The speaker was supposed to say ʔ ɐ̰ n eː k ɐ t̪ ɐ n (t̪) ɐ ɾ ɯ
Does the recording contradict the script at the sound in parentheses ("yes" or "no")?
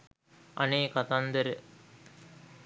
yes